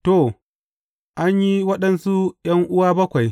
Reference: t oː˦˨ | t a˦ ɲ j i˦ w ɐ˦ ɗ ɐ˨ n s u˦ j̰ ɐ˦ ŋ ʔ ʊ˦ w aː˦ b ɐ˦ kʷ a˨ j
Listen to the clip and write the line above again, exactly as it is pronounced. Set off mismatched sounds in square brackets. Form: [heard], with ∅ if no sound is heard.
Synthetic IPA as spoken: t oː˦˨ | [ʔ] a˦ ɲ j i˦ w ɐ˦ ɗ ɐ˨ n s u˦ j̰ ɐ˦ ŋ ʔ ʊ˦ w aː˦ b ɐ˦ kʷ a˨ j